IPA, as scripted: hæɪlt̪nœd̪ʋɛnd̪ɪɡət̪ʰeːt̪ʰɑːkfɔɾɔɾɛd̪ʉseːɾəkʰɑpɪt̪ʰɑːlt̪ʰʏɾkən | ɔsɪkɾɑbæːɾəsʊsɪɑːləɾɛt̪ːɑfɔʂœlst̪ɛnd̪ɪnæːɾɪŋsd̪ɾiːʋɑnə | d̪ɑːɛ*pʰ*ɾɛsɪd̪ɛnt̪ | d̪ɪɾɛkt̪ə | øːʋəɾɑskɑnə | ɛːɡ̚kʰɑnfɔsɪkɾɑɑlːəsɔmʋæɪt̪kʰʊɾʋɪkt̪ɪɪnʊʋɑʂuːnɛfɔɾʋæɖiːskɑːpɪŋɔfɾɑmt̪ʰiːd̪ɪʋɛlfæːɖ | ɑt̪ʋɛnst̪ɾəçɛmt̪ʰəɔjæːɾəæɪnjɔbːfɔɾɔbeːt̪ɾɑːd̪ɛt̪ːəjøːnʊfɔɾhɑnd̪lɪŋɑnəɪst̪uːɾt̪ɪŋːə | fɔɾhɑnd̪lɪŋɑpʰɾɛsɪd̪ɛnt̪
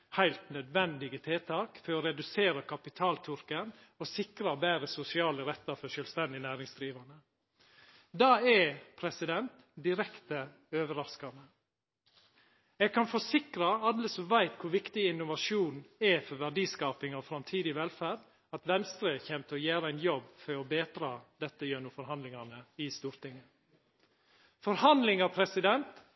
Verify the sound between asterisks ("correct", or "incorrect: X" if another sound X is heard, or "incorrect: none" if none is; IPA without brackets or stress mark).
correct